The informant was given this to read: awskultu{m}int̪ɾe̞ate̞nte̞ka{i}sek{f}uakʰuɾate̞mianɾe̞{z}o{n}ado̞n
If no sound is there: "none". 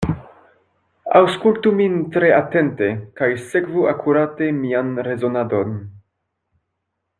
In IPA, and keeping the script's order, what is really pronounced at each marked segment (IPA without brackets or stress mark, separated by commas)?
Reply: m, j, v, z, n